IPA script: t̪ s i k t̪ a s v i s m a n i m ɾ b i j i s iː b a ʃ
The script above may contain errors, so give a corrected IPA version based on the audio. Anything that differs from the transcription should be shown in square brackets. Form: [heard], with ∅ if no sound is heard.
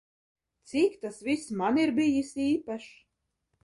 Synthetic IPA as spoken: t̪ s i k t̪ a s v i s m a n i [∅] ɾ b i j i s iː [p] a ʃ